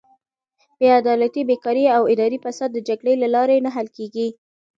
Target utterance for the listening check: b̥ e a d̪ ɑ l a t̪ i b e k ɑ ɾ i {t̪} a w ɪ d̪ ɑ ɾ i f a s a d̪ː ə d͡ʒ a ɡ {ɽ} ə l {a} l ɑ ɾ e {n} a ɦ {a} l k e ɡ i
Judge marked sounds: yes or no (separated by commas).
no, yes, yes, yes, yes